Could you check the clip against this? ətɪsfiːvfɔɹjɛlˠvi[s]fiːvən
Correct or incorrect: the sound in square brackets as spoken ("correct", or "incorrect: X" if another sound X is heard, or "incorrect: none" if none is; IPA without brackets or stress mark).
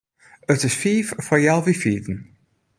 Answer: incorrect: none